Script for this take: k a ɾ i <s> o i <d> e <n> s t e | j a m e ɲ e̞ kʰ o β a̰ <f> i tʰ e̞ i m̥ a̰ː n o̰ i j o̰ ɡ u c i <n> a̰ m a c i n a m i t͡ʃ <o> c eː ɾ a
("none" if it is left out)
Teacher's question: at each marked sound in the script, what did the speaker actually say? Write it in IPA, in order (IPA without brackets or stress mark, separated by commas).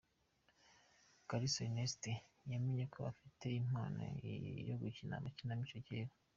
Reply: s, n, none, f, n, o